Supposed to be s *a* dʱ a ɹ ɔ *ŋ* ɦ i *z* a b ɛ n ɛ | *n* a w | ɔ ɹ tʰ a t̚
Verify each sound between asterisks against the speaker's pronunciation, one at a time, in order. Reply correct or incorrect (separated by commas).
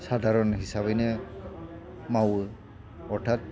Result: correct, incorrect, incorrect, incorrect